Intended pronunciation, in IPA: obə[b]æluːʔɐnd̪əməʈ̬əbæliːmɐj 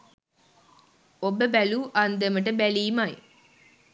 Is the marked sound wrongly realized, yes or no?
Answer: no